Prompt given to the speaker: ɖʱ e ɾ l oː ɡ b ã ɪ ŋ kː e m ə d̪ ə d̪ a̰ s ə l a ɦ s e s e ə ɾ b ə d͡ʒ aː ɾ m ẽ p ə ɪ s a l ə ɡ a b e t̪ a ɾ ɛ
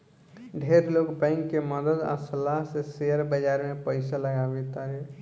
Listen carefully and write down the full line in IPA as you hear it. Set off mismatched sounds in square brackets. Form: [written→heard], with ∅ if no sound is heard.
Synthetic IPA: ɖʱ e ɾ l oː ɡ b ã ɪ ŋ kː e m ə d̪ ə d̪ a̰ s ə l a ɦ s e s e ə ɾ b ə d͡ʒ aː ɾ m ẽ p ə ɪ s a l ə ɡ a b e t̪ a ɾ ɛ